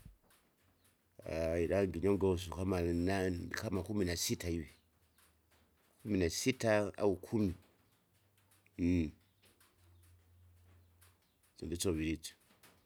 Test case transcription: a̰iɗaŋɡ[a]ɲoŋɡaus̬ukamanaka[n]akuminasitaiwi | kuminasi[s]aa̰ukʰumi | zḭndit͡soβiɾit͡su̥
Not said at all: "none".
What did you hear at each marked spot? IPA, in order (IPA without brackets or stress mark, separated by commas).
i, m, t